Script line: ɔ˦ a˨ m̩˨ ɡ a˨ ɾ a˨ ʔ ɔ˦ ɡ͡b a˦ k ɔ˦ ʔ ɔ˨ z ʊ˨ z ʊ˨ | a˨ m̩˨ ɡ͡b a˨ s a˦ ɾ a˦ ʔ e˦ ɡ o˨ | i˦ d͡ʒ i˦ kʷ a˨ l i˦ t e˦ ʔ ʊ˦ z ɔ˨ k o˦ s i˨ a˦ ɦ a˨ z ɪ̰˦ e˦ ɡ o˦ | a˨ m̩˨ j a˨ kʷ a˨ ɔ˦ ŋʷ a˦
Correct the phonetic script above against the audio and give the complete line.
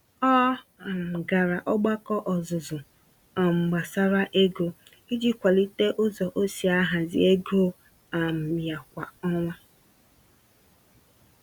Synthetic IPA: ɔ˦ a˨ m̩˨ ɡ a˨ ɾ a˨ ʔ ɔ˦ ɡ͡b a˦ k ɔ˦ ʔ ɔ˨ z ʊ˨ z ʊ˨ | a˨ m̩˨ ɡ͡b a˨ s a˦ ɾ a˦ ʔ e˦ ɡ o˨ | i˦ d͡ʒ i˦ kʷ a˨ l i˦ t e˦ ʔ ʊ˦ z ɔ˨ ʔ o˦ s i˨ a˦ ɦ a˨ z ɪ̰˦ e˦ ɡ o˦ | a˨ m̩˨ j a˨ kʷ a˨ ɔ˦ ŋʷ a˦

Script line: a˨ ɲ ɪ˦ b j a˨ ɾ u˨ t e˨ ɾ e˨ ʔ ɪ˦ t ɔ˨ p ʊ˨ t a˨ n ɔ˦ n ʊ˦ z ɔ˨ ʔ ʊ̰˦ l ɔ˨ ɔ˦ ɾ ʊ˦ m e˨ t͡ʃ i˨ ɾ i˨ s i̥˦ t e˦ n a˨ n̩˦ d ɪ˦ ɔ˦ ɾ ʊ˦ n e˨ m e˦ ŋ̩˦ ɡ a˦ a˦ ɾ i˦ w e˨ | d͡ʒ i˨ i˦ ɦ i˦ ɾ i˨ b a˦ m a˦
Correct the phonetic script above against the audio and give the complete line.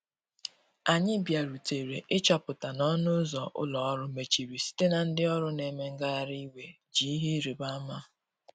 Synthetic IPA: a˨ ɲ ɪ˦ b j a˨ ɾ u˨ t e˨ ɾ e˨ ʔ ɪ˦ t͡ʃ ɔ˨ p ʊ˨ t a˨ n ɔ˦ n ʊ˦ z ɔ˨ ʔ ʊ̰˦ l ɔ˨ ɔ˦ ɾ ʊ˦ m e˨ t͡ʃ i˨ ɾ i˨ s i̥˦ t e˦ n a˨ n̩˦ d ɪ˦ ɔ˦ ɾ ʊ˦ n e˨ m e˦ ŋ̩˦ ɡ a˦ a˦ ɾ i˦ w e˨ | d͡ʒ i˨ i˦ ɦ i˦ ɾ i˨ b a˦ m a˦

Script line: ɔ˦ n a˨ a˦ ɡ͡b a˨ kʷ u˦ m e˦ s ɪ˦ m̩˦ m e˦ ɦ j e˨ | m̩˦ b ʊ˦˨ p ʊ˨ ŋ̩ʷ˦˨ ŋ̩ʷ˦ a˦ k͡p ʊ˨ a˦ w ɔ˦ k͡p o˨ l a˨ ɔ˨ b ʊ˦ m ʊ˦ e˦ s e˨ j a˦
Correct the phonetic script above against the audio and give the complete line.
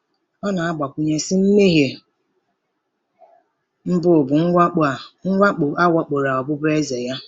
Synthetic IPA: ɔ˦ n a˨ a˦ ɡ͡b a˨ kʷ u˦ ɲ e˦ s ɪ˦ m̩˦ m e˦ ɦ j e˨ | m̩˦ b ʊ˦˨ b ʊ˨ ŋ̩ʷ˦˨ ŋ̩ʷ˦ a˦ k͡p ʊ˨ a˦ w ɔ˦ k͡p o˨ ɾ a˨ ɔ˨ b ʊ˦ b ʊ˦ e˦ z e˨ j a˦

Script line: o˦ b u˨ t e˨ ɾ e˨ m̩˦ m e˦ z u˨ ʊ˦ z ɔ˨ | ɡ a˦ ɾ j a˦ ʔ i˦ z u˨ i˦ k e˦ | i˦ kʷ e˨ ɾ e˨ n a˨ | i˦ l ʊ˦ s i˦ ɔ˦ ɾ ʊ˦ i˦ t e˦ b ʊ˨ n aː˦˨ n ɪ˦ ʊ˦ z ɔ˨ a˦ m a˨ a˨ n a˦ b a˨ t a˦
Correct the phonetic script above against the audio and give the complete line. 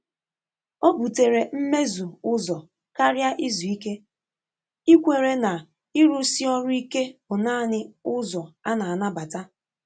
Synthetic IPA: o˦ b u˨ t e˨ ɾ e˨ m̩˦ m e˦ z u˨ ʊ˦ z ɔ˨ | k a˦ ɾ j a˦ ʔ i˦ z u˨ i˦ k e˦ | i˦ kʷ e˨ ɾ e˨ n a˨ | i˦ ɾ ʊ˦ s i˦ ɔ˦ ɾ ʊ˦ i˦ k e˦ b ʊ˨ n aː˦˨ n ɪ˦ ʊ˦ z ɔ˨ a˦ n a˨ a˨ n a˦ b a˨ t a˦

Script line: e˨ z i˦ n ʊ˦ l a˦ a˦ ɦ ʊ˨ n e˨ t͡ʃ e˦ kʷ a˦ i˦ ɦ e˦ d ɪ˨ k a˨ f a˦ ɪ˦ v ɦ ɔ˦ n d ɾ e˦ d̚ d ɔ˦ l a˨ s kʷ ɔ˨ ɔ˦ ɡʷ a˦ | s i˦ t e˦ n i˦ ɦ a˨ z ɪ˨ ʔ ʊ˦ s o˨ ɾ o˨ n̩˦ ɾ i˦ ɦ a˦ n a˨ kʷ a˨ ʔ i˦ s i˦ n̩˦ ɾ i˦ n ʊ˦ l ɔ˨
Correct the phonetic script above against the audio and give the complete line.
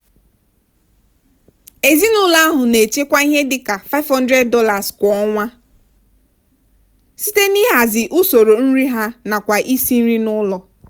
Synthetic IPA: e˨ z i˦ n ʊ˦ l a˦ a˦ ɦ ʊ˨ n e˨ t͡ʃ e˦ kʷ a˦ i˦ ɦ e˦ d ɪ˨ k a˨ f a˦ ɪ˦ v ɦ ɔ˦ n d ɾ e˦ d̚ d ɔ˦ l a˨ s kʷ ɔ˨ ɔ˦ ŋʷ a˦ | s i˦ t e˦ n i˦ ɦ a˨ z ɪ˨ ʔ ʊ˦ s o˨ ɾ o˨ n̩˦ ɾ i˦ ɦ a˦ n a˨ kʷ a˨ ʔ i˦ s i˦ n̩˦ ɾ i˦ n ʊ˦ l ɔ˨

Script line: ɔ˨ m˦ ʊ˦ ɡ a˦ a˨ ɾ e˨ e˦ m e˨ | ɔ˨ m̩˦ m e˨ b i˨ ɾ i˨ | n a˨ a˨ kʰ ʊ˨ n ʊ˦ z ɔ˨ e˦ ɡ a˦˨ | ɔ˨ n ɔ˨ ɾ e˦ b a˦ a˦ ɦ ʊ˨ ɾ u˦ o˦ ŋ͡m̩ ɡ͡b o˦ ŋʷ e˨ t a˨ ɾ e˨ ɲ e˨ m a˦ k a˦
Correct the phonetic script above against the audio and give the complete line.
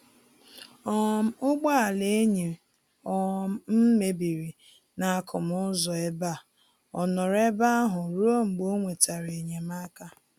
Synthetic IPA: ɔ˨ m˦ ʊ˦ ɡ͡b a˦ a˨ l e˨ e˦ ɲ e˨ | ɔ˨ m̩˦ m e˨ b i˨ ɾ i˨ | n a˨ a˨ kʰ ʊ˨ m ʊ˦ z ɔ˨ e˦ b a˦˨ | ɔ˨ n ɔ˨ ɾ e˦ b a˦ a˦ ɦ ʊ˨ ɾ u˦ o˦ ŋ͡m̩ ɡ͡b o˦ ŋʷ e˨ t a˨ ɾ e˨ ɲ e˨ m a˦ k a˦

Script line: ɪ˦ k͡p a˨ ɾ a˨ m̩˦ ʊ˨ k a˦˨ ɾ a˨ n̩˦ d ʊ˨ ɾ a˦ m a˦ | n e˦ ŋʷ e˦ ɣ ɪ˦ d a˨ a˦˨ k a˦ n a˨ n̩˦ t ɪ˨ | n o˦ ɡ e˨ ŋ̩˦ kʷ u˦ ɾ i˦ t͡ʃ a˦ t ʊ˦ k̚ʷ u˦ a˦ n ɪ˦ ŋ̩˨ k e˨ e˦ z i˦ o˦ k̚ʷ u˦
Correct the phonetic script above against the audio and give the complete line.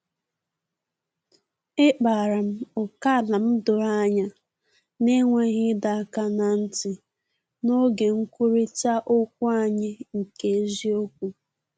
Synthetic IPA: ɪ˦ k͡p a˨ ɾ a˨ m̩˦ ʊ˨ k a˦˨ l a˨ m̩˦ d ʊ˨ ɾ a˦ ɲ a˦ | n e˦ ŋʷ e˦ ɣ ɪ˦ d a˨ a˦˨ k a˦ n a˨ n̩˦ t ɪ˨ | n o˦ ɡ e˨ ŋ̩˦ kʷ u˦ ɾ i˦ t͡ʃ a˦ ʔ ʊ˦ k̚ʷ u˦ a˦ ɲ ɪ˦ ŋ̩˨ k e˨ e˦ z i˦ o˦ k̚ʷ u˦

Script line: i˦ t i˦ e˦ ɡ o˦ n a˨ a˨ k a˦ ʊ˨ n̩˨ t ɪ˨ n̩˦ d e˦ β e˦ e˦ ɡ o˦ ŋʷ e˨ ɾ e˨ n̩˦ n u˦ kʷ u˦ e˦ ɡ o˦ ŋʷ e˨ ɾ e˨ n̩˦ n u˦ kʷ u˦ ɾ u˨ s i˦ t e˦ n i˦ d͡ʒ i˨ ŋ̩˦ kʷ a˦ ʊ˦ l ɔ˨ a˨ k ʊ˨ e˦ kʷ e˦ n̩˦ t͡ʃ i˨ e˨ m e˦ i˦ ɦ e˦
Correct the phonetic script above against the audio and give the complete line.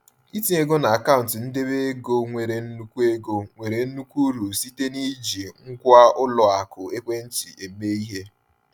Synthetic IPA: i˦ t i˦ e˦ ɡ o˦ n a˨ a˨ k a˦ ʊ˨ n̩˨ t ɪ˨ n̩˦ d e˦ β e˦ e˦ ɡ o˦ ŋʷ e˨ ɾ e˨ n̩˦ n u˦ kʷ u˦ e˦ ɡ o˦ ŋʷ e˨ ɾ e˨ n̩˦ n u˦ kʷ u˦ ɾ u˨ s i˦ t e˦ n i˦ d͡ʒ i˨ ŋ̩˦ kʷ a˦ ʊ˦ l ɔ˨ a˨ k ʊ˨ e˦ kʷ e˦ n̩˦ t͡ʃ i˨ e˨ m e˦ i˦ ɦ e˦

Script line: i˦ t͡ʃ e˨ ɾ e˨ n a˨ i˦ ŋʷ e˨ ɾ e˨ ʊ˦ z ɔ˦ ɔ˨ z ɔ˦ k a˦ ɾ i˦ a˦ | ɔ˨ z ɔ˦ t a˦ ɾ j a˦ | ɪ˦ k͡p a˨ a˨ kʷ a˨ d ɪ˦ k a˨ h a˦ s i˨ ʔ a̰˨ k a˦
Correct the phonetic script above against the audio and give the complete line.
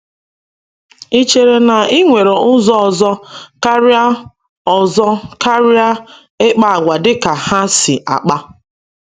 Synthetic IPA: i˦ t͡ʃ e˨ ɾ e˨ n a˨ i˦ ŋʷ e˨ ɾ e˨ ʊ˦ z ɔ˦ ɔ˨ z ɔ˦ k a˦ ɾ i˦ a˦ | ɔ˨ z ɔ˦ k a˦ ɾ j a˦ | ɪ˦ k͡p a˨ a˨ ɡʷ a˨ d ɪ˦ k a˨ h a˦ s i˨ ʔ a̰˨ k͡p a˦

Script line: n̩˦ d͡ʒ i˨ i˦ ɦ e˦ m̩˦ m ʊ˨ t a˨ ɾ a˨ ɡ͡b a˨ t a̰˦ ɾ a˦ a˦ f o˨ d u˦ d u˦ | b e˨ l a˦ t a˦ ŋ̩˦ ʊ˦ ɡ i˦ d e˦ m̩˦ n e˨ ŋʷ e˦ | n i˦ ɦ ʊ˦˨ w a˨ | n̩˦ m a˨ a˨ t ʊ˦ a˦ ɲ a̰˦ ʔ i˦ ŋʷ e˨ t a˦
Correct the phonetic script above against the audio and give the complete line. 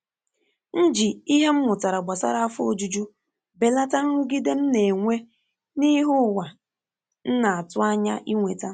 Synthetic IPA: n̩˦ d͡ʒ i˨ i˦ ɦ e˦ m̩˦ m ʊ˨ t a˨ ɾ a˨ ɡ͡b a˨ s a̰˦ ɾ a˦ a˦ f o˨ d͡ʒ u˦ d͡ʒ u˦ | b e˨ l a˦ t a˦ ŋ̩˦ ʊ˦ ɡ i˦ d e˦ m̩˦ n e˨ ŋʷ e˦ | n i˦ ɦ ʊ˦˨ w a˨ | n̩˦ n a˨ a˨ t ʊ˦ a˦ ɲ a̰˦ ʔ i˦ ŋʷ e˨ t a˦

